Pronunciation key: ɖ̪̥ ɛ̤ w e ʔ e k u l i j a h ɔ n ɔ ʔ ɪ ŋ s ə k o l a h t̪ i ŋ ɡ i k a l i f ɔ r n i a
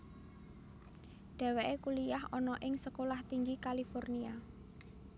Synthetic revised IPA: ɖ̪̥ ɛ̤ w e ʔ e k u l i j a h ɔ n ɔ ʔ ɪ ŋ s ə k o l a h t̪ i ŋ ɡ i k a l i f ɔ r n i a